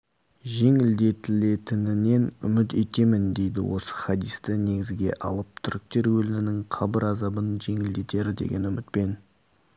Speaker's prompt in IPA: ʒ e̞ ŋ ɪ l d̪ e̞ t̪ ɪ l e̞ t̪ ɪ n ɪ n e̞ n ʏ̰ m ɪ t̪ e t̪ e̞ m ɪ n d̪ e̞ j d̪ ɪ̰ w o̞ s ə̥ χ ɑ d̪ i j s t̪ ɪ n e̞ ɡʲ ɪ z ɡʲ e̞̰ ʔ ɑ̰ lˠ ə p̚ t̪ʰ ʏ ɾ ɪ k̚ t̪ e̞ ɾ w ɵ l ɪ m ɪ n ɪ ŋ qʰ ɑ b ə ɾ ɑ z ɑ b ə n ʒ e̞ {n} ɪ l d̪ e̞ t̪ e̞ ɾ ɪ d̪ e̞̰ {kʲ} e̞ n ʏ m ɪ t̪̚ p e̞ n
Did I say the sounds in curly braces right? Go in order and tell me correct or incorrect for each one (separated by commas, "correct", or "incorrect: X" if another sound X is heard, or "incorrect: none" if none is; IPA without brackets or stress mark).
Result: incorrect: ŋ, incorrect: ɡʲ